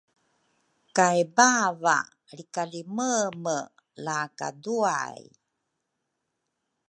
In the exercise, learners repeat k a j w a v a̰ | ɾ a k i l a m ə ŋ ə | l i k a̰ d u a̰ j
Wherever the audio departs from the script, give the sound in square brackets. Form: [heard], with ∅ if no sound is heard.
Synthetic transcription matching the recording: k a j [b] a v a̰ | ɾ [i] k [a] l [i] m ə [m] ə | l [a] k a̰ d u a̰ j